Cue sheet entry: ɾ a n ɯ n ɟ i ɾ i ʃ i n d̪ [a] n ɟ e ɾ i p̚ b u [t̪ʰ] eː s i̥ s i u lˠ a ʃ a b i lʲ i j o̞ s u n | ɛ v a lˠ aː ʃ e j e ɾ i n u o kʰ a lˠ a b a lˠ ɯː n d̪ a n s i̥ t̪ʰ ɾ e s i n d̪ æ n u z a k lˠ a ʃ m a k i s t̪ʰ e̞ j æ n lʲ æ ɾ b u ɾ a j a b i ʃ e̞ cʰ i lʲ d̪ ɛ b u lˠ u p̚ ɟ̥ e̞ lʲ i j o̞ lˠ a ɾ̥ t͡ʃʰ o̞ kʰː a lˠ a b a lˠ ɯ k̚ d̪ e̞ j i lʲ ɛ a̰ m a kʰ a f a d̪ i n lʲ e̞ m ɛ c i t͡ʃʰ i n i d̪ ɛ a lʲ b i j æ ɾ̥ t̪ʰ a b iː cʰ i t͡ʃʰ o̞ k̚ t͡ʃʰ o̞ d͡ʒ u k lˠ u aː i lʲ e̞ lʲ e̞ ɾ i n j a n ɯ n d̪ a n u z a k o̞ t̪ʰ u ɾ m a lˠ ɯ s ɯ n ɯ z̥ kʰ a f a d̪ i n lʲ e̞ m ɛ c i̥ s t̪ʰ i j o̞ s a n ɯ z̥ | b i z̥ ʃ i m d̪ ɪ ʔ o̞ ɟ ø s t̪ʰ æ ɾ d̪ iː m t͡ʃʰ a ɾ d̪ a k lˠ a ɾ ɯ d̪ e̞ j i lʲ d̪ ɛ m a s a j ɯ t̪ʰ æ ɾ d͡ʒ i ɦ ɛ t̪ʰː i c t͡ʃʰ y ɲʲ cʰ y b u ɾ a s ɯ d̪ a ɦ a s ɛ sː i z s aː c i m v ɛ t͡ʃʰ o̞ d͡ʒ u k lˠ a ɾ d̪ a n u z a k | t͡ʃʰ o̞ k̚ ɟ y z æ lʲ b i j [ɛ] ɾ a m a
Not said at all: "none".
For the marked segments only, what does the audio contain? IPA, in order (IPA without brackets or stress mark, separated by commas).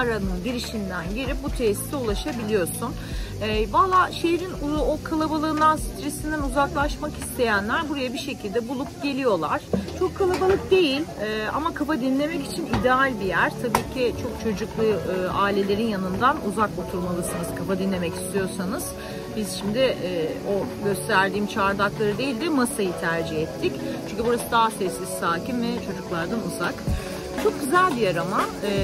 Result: æ, t̪ʰ, a